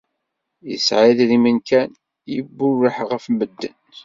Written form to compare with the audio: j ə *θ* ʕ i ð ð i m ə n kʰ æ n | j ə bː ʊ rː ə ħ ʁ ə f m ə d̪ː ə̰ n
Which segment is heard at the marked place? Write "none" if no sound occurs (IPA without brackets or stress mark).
s